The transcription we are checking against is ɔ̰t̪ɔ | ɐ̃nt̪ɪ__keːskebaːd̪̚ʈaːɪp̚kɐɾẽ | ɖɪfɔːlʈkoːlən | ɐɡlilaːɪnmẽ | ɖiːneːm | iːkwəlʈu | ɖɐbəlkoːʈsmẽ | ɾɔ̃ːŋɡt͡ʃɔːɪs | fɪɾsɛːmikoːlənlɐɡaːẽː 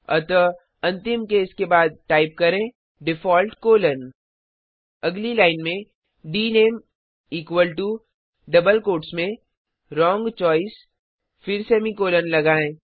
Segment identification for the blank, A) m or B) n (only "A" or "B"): A